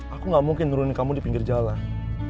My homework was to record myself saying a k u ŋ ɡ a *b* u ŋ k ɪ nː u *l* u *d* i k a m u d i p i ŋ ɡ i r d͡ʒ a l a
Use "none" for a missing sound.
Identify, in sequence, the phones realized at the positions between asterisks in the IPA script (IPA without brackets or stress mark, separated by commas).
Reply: m, ɾ, n